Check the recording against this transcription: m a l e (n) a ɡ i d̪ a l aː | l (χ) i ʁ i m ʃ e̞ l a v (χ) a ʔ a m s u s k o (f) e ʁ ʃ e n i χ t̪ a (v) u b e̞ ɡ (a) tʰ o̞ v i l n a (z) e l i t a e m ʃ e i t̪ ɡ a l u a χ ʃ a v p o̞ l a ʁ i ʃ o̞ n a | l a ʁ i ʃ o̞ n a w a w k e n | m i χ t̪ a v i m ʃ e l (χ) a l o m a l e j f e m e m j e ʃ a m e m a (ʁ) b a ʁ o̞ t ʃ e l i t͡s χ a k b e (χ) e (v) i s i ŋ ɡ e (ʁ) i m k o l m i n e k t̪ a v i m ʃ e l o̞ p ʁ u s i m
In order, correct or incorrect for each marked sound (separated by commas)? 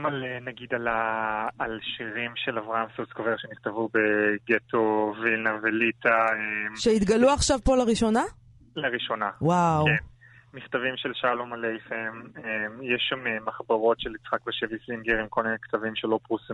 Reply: correct, incorrect, incorrect, incorrect, correct, incorrect, incorrect, incorrect, incorrect, incorrect, correct, correct